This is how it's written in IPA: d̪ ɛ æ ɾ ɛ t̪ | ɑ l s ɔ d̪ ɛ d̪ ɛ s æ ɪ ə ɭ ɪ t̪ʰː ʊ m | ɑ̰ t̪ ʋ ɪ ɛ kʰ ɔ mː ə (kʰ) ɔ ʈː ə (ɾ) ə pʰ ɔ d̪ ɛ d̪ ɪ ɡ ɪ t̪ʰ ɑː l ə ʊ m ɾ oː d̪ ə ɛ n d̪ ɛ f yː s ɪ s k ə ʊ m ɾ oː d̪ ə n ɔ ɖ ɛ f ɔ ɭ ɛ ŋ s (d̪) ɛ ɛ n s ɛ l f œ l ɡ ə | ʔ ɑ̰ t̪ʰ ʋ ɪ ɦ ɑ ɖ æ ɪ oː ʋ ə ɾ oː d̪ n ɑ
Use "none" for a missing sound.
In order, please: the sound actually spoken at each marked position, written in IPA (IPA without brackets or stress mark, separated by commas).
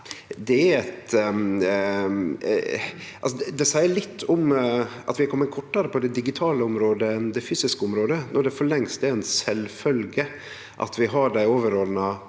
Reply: kʰ, ɾ, t̪